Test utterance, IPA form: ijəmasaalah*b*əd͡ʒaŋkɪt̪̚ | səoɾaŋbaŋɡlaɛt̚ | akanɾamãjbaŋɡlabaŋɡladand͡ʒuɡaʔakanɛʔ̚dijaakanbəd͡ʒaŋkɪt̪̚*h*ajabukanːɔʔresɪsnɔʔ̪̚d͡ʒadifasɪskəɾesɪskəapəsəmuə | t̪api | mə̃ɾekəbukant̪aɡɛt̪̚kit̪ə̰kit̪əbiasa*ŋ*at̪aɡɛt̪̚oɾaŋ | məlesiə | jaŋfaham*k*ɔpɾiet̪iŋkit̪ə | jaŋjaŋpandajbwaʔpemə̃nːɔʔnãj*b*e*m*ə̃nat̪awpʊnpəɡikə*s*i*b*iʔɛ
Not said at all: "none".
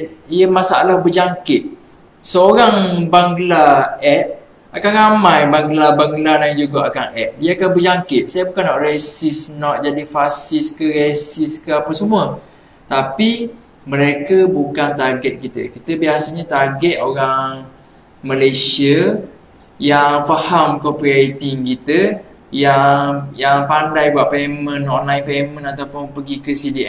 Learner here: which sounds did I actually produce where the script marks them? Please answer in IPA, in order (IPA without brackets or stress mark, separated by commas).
b, s, ɲ, k, p, m, s, d